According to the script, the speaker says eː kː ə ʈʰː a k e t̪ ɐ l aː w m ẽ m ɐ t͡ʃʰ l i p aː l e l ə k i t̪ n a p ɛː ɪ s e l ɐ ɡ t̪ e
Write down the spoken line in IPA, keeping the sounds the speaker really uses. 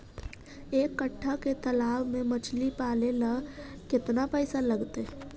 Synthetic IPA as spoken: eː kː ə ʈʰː a k e t̪ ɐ l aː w m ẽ m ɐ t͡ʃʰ l i p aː l e l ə k ɪ t̪ n a p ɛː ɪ s a l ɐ ɡ t̪ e